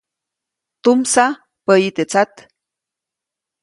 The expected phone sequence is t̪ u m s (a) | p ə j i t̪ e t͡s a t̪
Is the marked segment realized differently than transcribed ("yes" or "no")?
no